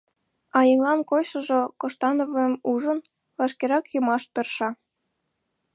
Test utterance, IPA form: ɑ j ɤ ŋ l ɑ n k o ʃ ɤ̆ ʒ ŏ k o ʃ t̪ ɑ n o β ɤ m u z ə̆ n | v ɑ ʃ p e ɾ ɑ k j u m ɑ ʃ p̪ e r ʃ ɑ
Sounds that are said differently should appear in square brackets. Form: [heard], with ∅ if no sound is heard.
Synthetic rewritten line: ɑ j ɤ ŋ l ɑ n k o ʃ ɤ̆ ʒ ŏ k o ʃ t̪ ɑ n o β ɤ m u [ʒ] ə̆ n | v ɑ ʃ [k] e ɾ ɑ k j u m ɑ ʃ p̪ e r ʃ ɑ